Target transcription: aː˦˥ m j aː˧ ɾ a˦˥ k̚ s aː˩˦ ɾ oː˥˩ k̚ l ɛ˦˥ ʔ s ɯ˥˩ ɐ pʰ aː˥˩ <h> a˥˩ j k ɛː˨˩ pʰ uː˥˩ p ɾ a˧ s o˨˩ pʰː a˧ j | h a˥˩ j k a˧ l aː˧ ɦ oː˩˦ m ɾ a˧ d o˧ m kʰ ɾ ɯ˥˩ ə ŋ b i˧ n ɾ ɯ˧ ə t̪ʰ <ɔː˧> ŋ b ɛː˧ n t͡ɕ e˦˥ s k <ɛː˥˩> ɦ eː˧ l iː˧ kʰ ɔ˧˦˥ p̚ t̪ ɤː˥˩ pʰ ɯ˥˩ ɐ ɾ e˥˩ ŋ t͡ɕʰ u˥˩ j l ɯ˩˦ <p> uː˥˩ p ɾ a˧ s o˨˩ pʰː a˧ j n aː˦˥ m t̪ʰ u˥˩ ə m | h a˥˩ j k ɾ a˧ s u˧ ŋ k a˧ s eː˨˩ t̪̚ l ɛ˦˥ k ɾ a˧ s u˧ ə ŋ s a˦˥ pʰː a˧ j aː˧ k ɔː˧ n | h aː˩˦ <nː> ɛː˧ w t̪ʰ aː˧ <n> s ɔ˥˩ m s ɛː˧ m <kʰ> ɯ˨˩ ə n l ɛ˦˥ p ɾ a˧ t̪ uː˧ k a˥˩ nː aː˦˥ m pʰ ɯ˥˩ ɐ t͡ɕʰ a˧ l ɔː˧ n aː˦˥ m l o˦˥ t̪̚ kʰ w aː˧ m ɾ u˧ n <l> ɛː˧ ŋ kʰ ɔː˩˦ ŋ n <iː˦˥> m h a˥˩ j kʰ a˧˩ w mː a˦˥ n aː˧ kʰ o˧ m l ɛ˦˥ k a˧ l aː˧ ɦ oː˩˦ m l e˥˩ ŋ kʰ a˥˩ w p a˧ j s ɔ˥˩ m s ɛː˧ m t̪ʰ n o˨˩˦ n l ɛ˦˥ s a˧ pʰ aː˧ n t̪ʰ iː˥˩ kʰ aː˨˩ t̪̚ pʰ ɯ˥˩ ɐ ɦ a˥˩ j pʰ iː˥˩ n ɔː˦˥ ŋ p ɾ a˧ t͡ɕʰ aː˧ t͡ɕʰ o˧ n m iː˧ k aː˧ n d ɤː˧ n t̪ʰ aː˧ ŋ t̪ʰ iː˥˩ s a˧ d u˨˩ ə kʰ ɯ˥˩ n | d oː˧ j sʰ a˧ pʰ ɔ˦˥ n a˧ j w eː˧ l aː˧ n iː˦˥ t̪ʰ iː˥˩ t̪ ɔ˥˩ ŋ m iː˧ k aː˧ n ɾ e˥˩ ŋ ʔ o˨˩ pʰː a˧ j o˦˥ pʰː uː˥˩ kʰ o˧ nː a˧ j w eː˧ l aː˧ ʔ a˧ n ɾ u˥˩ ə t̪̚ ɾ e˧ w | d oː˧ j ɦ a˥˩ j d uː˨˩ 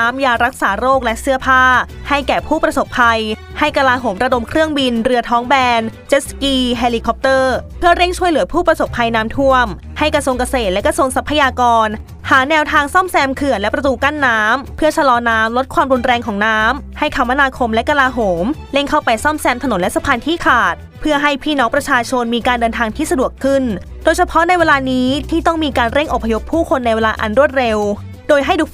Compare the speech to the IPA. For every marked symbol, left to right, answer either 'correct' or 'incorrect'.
correct, incorrect: ɔː˦˥, incorrect: iː˥˩, incorrect: pʰ, incorrect: n, incorrect: ŋ, correct, incorrect: ɾ, incorrect: aː˦˥

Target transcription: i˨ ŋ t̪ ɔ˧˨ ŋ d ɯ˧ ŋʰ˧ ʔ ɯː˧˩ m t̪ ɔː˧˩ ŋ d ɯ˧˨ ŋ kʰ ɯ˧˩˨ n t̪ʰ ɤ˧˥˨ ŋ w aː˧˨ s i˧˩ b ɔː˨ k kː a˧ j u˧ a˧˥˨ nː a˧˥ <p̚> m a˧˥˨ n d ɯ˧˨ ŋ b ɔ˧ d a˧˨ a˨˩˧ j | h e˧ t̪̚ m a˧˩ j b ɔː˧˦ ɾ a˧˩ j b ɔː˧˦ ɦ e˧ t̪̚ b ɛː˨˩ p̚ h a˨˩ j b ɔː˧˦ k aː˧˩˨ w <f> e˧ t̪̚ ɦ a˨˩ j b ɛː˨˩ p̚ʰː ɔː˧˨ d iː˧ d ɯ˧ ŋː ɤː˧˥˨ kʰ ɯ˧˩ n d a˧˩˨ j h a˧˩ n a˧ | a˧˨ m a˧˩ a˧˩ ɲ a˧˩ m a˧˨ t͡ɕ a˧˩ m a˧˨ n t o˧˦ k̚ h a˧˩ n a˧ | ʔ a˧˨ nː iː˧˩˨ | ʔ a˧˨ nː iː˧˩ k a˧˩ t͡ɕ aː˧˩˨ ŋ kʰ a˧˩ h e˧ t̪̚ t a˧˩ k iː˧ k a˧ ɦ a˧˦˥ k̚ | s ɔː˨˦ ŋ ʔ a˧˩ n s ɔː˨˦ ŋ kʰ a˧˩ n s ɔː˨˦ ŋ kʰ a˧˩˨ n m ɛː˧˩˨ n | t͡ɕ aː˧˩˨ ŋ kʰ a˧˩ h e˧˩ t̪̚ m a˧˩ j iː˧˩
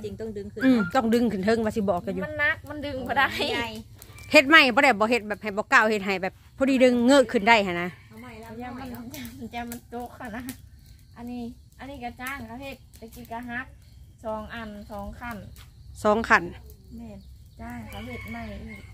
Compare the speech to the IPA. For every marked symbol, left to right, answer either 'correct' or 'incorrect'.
incorrect: k̚, incorrect: h

